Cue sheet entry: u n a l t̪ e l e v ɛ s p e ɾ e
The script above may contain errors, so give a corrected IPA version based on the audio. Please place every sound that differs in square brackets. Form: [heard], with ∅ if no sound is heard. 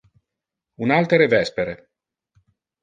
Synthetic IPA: u n a l t̪ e [ɾ] e v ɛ s p e ɾ e